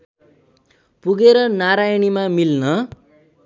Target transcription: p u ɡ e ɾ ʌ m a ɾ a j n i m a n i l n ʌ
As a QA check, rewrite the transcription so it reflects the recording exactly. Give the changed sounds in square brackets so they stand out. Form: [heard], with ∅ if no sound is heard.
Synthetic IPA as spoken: p u ɡ e ɾ ʌ [n] a ɾ a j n i m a [m] i l n ʌ